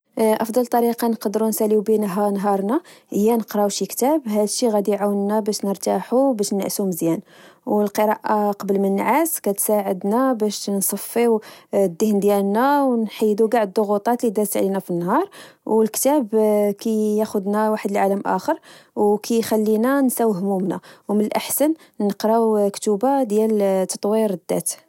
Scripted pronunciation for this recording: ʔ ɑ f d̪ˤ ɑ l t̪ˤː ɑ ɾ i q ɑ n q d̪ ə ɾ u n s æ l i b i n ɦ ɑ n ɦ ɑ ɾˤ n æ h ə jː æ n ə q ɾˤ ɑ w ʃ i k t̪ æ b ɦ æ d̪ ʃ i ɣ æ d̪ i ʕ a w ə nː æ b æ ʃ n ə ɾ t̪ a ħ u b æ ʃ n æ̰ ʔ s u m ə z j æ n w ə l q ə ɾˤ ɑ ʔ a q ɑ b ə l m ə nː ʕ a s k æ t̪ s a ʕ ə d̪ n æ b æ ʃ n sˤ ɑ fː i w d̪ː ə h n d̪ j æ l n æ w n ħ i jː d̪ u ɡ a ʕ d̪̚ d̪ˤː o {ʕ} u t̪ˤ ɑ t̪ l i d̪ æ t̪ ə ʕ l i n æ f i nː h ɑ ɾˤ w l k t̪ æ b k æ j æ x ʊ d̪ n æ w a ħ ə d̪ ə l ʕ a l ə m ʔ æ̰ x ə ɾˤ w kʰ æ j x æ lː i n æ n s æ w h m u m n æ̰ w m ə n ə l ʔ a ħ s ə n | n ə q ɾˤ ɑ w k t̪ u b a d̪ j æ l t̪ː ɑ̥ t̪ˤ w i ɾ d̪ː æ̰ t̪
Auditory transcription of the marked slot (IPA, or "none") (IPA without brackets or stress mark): ɣ